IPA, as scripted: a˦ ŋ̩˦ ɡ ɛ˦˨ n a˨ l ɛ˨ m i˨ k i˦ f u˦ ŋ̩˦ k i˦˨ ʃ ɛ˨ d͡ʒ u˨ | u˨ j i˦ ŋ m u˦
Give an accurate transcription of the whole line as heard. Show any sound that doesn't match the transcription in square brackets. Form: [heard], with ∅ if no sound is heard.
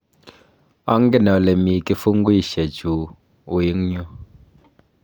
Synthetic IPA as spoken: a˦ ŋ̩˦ ɡ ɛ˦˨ n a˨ l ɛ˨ m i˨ k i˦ f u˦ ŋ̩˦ [ɡ] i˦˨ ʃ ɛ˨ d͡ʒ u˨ | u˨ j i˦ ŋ [ɲ] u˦